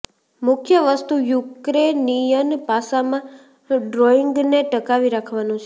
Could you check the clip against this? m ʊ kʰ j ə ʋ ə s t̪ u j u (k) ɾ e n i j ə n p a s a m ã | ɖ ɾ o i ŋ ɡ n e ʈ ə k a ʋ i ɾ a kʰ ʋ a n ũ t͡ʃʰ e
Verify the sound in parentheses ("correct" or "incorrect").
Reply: correct